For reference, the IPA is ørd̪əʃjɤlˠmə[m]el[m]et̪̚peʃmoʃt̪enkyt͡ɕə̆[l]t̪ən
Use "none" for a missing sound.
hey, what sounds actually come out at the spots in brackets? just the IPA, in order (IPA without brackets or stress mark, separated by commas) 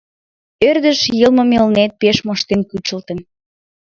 m, n, l